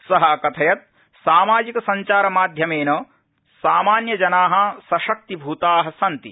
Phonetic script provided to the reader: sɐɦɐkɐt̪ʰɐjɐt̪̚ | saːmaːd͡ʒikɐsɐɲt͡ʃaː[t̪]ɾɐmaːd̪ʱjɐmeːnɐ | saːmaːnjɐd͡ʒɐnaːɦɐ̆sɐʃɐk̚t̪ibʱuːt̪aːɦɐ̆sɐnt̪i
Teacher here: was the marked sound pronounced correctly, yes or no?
no